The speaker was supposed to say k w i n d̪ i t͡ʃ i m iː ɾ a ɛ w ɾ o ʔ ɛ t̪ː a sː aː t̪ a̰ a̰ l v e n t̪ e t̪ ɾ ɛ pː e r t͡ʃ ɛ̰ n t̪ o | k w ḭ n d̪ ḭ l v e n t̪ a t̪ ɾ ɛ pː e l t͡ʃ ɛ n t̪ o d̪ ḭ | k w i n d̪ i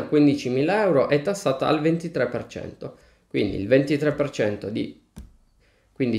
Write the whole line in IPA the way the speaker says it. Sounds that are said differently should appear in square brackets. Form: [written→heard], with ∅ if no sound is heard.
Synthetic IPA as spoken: k w i n d̪ i t͡ʃ i m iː [ɾ→l] a ɛ w ɾ o ʔ ɛ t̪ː a sː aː t̪ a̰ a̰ l v e n t̪ [e→i] t̪ ɾ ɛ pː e r t͡ʃ ɛ̰ n t̪ o | k w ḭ n d̪ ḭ l v e n t̪ [a→i] t̪ ɾ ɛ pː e [l→r] t͡ʃ ɛ n t̪ o d̪ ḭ | k w i n d̪ i